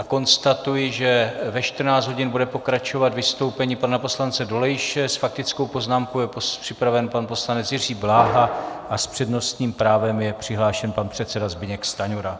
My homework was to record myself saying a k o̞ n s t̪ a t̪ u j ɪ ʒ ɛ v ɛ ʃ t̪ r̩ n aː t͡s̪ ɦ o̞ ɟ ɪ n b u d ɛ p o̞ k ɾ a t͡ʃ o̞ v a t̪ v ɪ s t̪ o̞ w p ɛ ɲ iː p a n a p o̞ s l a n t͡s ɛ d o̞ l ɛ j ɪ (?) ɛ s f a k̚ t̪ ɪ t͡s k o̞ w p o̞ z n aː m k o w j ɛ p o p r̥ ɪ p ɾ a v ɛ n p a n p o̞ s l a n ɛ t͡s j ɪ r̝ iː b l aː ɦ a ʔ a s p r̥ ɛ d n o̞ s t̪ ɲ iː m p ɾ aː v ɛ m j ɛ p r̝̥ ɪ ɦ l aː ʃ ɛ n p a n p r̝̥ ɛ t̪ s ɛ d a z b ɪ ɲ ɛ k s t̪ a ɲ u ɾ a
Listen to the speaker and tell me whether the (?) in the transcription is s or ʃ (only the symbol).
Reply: ʃ